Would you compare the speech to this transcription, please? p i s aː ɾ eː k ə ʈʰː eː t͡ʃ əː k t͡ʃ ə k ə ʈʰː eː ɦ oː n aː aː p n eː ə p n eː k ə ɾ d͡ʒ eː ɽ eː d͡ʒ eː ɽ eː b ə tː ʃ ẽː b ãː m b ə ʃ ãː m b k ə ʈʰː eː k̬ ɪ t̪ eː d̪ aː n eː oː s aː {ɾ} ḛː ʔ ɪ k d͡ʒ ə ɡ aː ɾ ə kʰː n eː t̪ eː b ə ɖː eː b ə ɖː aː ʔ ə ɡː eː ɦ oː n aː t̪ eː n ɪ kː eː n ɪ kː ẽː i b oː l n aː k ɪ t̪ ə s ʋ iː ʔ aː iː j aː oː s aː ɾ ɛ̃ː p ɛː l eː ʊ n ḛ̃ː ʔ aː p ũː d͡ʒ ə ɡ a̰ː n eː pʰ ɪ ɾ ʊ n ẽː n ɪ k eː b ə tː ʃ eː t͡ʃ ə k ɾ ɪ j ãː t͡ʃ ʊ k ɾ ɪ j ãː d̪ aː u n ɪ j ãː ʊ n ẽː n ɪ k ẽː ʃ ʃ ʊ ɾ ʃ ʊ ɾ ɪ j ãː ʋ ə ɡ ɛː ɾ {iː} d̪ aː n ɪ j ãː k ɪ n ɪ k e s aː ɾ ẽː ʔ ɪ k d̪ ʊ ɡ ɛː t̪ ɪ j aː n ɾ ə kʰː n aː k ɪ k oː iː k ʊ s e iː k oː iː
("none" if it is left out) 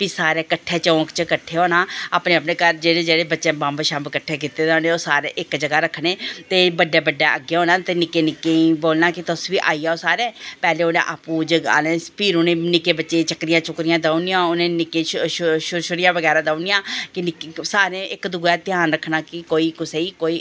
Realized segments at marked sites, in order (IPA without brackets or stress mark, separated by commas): ɾ, aː